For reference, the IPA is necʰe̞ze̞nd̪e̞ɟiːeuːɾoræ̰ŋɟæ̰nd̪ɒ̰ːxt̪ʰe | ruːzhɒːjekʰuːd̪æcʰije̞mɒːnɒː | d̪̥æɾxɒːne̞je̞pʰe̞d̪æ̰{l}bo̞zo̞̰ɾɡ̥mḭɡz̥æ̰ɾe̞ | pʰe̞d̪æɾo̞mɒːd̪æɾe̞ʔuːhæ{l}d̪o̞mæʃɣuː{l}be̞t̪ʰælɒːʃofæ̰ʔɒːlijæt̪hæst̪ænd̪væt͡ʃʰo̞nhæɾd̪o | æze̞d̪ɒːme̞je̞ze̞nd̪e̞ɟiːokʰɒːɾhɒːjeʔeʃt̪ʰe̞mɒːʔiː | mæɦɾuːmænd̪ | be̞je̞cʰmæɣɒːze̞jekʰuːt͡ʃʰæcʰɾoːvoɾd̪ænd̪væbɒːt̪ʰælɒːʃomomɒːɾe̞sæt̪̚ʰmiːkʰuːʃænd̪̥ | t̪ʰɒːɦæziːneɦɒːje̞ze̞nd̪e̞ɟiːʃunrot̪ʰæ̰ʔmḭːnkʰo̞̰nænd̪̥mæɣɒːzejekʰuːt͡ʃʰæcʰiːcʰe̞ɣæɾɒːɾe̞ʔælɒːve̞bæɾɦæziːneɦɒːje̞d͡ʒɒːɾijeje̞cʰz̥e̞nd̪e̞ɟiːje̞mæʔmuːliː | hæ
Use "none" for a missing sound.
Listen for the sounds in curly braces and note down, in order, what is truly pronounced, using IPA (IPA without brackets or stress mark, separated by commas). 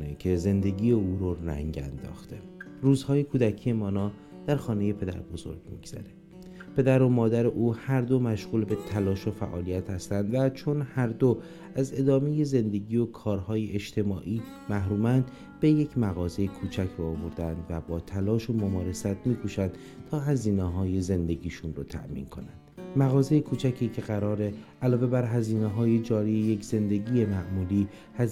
ɾ, ɾ, l